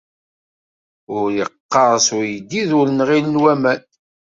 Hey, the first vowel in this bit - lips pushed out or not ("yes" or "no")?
yes